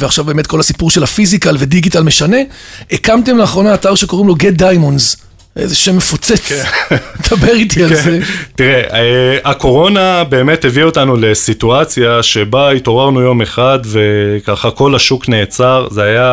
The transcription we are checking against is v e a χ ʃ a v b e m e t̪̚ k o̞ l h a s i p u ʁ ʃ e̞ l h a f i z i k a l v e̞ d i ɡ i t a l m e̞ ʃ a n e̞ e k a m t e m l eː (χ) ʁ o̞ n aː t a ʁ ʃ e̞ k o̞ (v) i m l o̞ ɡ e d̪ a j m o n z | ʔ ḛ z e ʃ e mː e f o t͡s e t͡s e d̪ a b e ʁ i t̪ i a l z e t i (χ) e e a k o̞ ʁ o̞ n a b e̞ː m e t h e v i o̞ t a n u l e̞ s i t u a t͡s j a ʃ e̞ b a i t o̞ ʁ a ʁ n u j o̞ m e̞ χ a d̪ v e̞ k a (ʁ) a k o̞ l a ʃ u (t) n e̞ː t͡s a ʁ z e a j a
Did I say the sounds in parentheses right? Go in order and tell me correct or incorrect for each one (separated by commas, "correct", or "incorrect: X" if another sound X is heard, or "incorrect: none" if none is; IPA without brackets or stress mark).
correct, incorrect: ʁ, incorrect: ʁ, incorrect: χ, incorrect: k